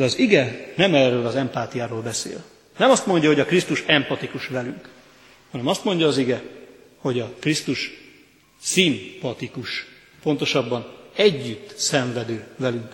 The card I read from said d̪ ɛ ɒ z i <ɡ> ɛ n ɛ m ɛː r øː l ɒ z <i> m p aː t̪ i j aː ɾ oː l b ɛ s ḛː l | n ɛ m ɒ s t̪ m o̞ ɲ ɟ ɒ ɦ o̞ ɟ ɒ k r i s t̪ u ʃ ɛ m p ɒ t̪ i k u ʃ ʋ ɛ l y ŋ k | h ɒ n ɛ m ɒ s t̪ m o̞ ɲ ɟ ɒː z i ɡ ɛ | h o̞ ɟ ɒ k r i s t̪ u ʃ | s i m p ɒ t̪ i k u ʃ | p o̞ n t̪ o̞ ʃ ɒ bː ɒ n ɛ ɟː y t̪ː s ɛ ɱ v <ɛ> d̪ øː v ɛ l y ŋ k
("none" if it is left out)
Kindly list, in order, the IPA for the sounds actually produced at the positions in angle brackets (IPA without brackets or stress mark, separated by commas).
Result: ɡ, ɛ, ɛ